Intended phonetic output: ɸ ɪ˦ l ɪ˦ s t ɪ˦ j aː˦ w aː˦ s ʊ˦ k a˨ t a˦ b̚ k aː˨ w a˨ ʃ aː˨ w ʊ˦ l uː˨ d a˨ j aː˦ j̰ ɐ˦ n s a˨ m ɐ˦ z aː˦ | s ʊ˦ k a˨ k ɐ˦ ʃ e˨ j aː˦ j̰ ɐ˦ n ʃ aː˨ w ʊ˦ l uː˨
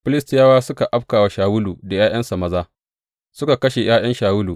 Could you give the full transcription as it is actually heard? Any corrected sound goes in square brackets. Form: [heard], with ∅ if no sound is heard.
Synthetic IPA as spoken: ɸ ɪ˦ l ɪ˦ s t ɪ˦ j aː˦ w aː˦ s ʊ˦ k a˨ [ʔ] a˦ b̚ k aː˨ w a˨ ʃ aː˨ w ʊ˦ l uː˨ d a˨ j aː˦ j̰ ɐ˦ n s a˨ m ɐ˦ z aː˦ | s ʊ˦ k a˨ k ɐ˦ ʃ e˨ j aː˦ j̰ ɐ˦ n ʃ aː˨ w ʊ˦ l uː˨